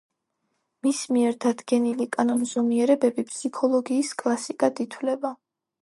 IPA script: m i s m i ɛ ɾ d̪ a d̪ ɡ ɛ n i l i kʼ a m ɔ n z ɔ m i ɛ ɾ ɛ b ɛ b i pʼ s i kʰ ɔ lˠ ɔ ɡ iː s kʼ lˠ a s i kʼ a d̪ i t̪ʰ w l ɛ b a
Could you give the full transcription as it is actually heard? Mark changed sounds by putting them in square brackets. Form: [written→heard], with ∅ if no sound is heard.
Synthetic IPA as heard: m i s m i ɛ ɾ d̪ a d̪ ɡ ɛ n i l i kʼ a [m→n] ɔ n z ɔ m i ɛ ɾ ɛ b ɛ b i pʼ s i kʰ ɔ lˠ ɔ ɡ iː s kʼ lˠ a s i kʼ a d̪ i t̪ʰ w l ɛ b a